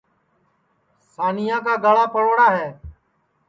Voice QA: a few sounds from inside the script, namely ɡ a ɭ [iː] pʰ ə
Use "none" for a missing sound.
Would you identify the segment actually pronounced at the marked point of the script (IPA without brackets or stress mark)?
aː